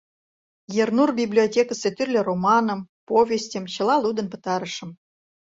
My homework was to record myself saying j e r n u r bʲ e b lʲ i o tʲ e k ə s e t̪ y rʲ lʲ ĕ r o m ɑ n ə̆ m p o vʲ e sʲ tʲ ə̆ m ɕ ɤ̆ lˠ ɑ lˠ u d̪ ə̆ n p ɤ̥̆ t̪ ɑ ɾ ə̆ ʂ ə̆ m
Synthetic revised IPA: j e r n u r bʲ i b lʲ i o tʲ e k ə s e t̪ y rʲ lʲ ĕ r o m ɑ n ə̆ m p o vʲ e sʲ tʲ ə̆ m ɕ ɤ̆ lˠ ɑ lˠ u d̪ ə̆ n p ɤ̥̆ t̪ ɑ ɾ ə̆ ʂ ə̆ m